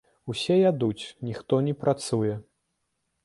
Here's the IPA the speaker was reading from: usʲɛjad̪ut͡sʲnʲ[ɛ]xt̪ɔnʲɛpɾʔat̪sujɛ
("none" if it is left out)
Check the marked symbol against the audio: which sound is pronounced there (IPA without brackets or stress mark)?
i